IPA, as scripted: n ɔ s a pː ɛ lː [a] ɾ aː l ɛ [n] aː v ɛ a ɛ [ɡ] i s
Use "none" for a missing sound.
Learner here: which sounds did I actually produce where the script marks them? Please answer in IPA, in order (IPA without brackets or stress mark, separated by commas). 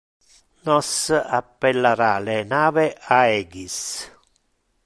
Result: a, n, ɡ